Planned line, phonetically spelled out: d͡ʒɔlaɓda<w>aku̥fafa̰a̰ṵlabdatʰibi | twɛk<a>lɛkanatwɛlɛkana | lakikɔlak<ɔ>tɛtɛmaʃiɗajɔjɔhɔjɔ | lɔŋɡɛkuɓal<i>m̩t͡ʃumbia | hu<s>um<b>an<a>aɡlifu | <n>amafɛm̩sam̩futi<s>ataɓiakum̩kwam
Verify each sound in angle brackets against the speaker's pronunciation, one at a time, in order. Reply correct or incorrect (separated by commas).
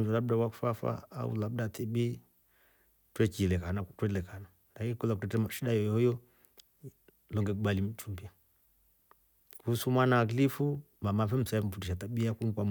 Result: correct, incorrect, incorrect, correct, correct, incorrect, correct, incorrect, incorrect